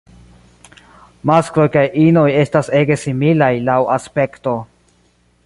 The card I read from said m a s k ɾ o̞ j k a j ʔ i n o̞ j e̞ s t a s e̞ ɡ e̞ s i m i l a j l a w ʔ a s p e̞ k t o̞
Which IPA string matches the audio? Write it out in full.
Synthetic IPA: m a s k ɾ o̞ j k a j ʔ i n o̞ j e̞ s t a s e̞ ɡ e̞ s i m i l a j l a w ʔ a s p e̞ k t o̞